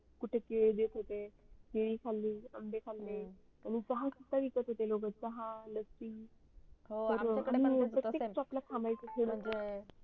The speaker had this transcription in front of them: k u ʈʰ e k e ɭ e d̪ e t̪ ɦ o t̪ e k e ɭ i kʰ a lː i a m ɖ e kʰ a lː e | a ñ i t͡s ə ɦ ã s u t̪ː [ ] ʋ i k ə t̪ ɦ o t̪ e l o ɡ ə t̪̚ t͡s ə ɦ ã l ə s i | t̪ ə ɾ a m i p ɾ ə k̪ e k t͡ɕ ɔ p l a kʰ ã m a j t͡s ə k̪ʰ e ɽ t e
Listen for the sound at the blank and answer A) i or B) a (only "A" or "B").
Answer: B